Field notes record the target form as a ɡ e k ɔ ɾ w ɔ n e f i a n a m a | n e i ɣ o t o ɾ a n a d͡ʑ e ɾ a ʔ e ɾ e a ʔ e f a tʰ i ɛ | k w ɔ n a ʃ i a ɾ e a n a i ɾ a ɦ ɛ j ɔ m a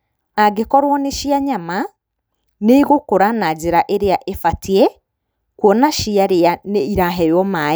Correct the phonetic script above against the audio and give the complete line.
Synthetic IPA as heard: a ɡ e k ɔ ɾ w ɔ n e ʃ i a ɲ a m a | n e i ɣ o k o ɾ a n a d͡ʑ e ɾ a ʔ e ɾ e a ʔ e f a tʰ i ɛ | k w ɔ n a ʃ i a ɾ e a n e i ɾ a ɦ ɛ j ɔ m a